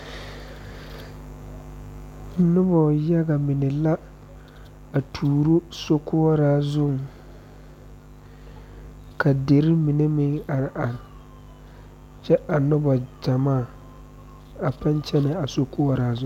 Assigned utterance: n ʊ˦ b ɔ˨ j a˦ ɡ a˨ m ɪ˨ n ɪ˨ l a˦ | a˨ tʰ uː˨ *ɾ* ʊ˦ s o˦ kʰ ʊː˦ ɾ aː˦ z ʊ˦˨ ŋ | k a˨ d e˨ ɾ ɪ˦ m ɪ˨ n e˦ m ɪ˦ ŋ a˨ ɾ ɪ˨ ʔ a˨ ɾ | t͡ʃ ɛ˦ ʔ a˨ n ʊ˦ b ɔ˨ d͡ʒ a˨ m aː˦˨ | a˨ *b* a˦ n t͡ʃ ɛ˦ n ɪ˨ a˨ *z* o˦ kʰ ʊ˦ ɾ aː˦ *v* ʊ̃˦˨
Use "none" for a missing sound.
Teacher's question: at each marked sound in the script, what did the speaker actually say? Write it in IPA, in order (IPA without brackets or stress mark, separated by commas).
ɾ, p, s, z